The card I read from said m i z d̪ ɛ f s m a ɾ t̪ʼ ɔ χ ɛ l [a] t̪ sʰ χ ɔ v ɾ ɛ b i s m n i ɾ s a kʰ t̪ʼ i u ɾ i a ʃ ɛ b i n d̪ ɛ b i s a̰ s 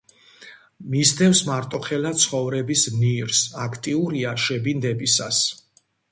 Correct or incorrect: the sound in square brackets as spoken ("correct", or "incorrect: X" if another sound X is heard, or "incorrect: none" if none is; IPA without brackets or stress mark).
correct